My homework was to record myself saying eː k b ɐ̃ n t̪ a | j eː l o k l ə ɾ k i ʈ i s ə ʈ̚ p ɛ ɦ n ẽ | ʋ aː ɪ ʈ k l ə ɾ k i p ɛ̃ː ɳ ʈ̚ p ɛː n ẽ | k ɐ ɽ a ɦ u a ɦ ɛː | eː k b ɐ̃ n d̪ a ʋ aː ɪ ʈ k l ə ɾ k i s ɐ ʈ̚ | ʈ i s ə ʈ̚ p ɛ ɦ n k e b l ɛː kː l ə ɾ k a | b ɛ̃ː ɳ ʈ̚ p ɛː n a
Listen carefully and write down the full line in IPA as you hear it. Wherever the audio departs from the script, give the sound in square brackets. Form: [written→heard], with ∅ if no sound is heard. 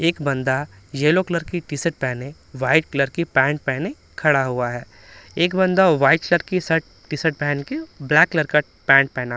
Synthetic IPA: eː k b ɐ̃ n [t̪→d̪] a | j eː l o k l ə ɾ k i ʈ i s ə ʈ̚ p ɛ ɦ n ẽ | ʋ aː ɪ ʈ k l ə ɾ k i p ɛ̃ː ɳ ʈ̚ p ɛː n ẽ | [k→kʰ] ɐ ɽ a ɦ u a ɦ ɛː | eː k b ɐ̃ n d̪ a ʋ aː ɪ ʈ k l ə ɾ k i s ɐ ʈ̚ | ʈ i s ə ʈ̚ p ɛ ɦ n k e b l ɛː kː l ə ɾ k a | [b→p] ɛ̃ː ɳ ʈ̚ p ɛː n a